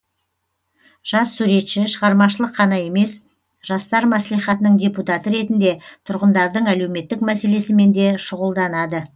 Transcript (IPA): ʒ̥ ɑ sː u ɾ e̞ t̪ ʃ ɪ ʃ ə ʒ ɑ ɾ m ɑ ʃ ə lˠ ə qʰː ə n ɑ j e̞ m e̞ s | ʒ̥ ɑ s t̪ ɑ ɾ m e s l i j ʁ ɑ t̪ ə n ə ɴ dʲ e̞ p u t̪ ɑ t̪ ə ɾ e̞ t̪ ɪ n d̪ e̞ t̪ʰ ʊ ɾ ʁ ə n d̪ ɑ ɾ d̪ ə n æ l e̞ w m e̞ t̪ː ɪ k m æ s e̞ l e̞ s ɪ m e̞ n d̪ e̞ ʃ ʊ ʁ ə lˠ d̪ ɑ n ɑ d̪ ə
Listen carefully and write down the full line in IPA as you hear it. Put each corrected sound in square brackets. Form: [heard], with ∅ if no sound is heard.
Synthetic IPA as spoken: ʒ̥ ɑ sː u ɾ e̞ t̪ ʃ ɪ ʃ ə [ʁ] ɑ ɾ m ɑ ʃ ə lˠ ə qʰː [ɑ] n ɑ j e̞ m e̞ s | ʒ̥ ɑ s t̪ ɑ ɾ m [æ] s l i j [χ] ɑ t̪ ə n ə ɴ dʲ e̞ p u t̪ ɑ t̪ ə ɾ e̞ t̪ ɪ n d̪ e̞ t̪ʰ ʊ ɾ ʁ ə n d̪ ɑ ɾ d̪ ə [ɴ] æ l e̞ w m e̞ t̪ː ɪ k m æ s e̞ l e̞ s ɪ m e̞ n d̪ e̞ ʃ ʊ ʁ ə lˠ d̪ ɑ n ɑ d̪ ə